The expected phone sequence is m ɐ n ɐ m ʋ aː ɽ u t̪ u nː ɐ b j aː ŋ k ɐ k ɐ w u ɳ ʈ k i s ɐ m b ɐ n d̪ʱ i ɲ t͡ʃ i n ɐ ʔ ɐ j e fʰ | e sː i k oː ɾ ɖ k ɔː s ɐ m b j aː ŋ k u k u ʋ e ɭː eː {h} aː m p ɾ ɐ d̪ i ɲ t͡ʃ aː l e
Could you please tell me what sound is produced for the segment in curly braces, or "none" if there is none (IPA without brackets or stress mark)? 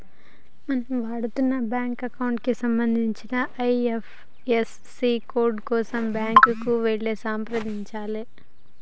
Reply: s